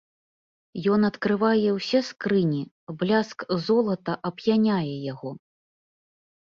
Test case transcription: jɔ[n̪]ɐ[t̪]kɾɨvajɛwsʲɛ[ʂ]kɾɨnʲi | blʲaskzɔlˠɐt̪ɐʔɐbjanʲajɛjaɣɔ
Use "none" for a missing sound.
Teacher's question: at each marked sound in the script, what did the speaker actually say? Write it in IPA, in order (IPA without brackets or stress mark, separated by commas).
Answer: n̪, t̪, s